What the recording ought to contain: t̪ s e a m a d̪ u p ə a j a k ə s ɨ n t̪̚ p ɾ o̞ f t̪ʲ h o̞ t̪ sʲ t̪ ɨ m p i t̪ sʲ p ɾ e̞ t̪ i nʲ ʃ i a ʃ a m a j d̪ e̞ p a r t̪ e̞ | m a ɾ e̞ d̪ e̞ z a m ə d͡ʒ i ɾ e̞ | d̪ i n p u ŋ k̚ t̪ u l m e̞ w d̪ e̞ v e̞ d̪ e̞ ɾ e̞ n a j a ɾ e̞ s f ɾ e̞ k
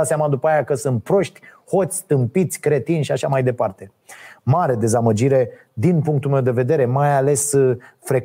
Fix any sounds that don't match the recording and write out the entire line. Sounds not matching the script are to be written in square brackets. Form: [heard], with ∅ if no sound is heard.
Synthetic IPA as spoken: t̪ s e a m a d̪ u p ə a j a k ə s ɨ n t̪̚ p ɾ o̞ [ʃ] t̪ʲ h o̞ t̪ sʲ t̪ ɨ m p i t̪ sʲ [k] ɾ e̞ t̪ i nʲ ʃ i a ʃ a m a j d̪ e̞ p a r t̪ e̞ | m a ɾ e̞ d̪ e̞ z a m ə d͡ʒ i ɾ e̞ | d̪ i n p u ŋ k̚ t̪ u l m e̞ w d̪ e̞ v e̞ d̪ e̞ ɾ e̞ [m] a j a [l] e̞ s f ɾ e̞ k